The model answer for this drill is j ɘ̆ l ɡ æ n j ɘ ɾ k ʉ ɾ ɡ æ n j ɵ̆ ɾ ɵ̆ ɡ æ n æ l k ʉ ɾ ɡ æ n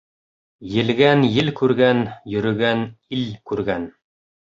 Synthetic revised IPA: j ɘ̆ l ɡ æ n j ɘ l k ʉ ɾ ɡ æ n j ɵ̆ ɾ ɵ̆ ɡ æ n i l k ʉ ɾ ɡ æ n